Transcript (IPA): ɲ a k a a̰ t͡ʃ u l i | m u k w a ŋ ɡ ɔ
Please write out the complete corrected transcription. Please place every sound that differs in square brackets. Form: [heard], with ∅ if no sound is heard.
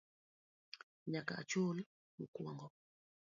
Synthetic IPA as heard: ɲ a k a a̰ t͡ʃ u l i | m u k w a ŋ ɡ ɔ